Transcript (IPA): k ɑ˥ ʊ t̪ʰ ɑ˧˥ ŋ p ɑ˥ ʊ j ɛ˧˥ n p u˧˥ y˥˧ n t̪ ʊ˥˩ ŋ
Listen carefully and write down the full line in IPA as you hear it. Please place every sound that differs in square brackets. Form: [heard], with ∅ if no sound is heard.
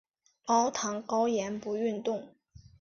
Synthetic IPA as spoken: k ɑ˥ ʊ t̪ʰ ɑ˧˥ ŋ [k] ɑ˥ ʊ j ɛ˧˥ n p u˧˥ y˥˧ n t̪ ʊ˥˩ ŋ